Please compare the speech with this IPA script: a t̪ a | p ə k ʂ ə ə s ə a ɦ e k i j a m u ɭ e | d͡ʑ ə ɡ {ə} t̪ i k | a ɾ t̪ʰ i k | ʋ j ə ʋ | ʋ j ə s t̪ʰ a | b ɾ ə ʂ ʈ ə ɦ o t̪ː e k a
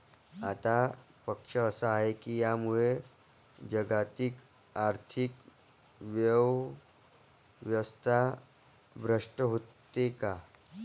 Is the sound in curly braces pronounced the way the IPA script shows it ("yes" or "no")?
no